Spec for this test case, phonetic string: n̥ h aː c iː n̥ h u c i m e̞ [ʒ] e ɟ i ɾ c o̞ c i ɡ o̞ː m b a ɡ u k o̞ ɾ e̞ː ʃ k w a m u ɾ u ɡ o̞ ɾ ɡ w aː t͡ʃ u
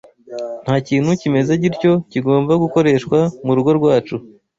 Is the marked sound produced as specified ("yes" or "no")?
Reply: no